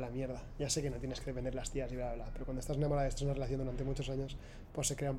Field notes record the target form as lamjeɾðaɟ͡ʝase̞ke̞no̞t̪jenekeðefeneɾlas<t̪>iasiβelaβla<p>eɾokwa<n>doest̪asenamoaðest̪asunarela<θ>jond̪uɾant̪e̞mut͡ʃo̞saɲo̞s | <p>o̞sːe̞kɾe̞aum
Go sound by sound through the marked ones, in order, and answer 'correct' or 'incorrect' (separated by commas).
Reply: correct, correct, correct, correct, correct